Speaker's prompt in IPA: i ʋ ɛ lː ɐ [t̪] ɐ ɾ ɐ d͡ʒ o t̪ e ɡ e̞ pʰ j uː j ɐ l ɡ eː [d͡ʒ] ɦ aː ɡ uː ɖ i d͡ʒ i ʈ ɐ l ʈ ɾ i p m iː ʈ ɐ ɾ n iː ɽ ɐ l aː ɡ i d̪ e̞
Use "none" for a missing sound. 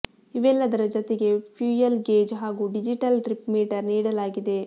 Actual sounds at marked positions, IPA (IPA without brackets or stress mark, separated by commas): d̪, d͡ʒ